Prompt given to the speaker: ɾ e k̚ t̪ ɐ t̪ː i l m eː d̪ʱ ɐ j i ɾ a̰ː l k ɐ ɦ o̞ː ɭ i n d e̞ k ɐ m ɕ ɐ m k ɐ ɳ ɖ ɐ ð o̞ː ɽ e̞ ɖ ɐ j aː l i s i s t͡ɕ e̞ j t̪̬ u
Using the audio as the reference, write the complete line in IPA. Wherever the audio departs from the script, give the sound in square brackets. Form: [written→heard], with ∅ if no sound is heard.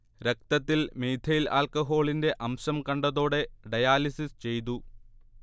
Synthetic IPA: ɾ e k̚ t̪ ɐ t̪ː i l m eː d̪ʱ ɐ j i [ɾ→l] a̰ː l k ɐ ɦ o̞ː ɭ i n d e̞ [k→ʔ] ɐ m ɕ ɐ m k ɐ ɳ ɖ ɐ ð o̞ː ɽ e̞ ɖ ɐ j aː l i s i s t͡ɕ e̞ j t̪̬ u